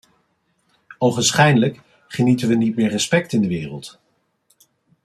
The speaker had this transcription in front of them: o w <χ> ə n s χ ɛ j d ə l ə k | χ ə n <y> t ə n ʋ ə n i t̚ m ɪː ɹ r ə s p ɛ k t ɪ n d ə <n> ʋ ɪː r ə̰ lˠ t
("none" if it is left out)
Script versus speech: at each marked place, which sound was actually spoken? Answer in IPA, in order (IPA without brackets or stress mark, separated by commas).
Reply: χ, i, none